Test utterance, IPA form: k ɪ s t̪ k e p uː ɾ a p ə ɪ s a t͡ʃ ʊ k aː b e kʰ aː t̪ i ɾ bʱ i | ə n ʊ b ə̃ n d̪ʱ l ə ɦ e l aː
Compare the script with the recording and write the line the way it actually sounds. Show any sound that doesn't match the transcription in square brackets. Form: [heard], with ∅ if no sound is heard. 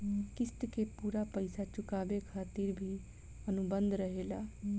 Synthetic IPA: k ɪ s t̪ k e p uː ɾ a p ə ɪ s a t͡ʃ ʊ k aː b e kʰ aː t̪ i ɾ bʱ i | ə n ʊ b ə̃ n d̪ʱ [ɾ] ə ɦ e l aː